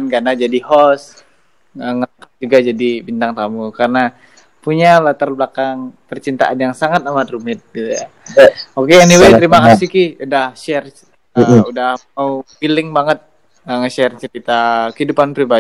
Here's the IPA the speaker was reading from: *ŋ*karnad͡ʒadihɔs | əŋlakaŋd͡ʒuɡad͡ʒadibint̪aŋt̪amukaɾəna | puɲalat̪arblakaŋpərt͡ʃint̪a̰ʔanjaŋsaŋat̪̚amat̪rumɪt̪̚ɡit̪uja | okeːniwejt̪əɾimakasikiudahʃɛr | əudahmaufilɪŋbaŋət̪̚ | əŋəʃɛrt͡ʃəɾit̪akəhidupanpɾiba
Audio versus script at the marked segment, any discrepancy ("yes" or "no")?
yes